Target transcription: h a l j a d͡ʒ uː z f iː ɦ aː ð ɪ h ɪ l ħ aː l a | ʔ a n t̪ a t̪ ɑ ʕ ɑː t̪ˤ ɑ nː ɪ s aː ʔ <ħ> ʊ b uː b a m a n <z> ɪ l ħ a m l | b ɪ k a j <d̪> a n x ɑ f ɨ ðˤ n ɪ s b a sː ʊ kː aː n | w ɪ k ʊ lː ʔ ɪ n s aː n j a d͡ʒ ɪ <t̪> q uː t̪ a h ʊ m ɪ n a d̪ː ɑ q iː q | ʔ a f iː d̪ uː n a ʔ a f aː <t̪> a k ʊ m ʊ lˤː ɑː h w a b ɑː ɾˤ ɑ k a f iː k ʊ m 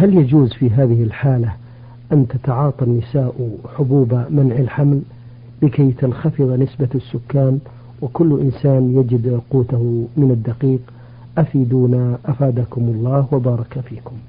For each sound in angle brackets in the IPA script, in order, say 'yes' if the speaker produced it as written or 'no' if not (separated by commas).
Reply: yes, no, no, no, no